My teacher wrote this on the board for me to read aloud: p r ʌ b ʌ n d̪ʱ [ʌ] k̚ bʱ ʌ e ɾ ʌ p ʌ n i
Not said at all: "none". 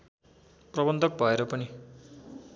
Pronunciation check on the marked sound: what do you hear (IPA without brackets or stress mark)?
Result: ʌ